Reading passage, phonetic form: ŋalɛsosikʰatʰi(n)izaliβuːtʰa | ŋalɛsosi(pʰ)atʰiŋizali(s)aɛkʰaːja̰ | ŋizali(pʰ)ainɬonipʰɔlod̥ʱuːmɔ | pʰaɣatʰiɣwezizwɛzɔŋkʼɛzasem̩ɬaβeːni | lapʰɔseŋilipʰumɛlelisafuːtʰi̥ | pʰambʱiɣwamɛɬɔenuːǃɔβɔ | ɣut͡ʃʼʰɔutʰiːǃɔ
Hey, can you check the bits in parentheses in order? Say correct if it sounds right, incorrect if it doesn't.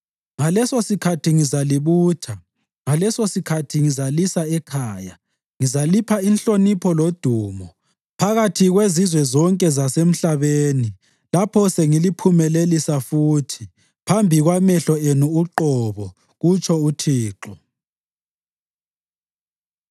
incorrect: ŋ, incorrect: kʰ, correct, correct

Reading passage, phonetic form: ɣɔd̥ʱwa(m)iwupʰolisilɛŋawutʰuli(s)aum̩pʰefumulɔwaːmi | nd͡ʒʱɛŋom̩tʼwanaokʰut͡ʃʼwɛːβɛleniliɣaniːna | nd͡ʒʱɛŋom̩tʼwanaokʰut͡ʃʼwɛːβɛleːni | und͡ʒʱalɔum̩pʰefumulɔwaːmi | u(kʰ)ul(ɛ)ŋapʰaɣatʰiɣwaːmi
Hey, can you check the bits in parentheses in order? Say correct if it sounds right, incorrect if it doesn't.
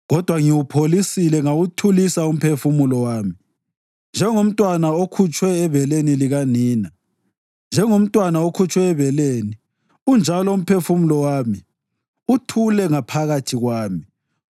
incorrect: ŋ, correct, incorrect: tʰ, correct

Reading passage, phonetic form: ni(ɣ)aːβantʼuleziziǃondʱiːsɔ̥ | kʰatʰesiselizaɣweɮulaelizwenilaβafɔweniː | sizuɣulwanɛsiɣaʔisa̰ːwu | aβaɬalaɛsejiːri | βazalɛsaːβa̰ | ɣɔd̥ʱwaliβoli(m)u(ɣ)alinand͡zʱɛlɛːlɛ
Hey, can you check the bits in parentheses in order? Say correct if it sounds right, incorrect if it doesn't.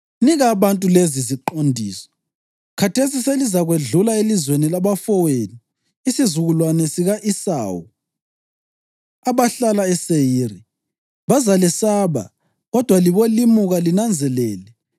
correct, correct, correct

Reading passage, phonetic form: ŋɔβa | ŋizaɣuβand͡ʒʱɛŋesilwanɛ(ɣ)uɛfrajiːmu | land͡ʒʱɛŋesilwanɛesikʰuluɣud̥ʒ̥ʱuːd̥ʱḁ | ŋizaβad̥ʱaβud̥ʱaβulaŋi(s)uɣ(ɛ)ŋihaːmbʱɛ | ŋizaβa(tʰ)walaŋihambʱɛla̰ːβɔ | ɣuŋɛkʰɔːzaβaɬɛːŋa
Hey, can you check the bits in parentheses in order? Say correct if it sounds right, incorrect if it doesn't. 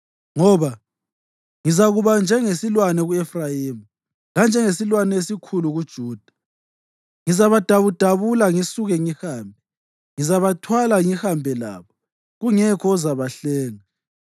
correct, correct, correct, correct

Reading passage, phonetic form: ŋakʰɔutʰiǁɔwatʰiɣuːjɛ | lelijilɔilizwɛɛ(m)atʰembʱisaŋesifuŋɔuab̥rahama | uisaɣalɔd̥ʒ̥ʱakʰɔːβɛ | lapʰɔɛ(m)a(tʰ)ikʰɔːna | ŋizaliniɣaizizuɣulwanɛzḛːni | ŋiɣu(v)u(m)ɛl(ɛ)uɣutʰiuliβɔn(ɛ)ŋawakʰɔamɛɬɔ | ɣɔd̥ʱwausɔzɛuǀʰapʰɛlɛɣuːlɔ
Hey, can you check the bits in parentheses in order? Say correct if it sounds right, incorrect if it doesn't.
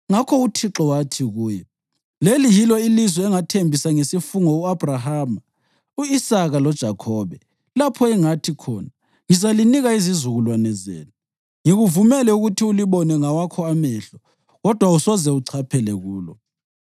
incorrect: ŋ, incorrect: ŋ, correct, correct, correct, correct, correct

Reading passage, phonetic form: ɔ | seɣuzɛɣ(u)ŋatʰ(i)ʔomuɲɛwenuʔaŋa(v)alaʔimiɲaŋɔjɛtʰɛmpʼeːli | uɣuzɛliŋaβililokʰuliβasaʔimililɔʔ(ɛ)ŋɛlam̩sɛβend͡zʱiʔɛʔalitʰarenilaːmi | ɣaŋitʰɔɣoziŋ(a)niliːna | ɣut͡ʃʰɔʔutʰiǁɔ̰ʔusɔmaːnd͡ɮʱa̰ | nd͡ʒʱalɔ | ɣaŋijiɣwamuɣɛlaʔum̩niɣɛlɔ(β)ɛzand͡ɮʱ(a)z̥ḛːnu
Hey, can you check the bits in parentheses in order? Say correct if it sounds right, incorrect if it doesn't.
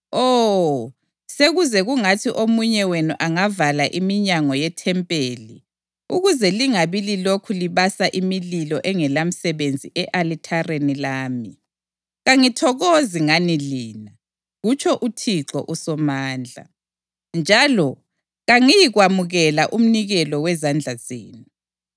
correct, correct, correct, correct, correct, incorrect: w, correct

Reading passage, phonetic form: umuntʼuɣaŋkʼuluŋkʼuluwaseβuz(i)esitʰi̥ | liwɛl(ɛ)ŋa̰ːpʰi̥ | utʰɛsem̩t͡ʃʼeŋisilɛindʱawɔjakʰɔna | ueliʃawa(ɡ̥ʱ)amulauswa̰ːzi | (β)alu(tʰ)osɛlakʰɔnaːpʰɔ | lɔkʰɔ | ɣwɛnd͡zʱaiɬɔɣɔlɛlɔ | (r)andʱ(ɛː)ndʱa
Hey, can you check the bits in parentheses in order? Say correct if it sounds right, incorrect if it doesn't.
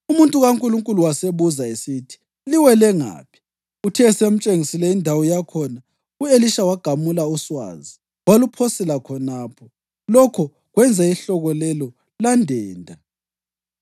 incorrect: a, correct, correct, incorrect: w, incorrect: pʰ, incorrect: l, correct

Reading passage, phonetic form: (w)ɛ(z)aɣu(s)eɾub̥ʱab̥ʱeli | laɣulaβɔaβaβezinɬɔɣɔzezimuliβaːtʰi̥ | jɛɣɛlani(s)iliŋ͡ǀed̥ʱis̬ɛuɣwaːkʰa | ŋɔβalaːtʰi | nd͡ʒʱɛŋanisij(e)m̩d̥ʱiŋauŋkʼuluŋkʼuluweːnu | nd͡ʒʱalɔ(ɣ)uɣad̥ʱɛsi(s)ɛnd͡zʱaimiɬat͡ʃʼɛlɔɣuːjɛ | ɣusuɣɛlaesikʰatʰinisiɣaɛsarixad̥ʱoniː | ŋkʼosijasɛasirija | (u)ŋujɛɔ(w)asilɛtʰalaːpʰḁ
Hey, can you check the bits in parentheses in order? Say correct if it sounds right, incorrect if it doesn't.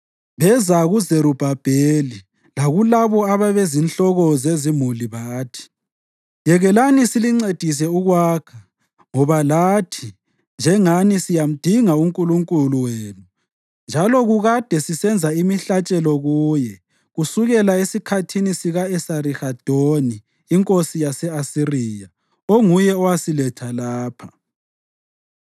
incorrect: β, correct, incorrect: z, correct, incorrect: a, correct, correct, incorrect: o, correct

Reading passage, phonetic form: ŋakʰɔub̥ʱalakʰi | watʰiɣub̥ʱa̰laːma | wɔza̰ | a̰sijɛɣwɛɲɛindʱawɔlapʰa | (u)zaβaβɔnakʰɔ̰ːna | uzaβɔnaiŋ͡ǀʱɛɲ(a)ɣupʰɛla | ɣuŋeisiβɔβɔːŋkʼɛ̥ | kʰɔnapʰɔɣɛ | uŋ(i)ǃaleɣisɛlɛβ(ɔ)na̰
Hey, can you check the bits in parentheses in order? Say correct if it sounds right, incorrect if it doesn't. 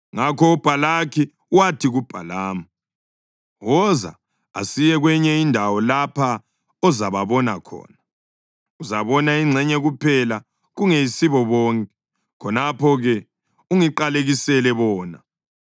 incorrect: ɔ, incorrect: ɛ, correct, incorrect: ɔː

